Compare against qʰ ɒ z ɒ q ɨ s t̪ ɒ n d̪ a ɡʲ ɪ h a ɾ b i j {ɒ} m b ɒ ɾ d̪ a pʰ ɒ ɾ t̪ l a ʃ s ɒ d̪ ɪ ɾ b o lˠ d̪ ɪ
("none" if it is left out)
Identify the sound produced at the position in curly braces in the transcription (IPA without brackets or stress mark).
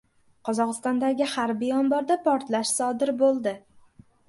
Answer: ɒ